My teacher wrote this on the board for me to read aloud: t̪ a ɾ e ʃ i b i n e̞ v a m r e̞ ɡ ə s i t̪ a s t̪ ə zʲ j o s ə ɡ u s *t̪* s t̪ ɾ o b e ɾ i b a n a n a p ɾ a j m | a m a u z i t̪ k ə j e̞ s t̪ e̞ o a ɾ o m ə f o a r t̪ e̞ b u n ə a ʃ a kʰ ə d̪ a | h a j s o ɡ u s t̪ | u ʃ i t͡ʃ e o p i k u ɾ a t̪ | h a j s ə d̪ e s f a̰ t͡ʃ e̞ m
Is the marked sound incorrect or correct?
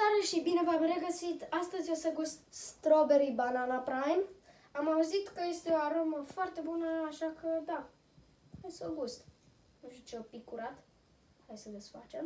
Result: correct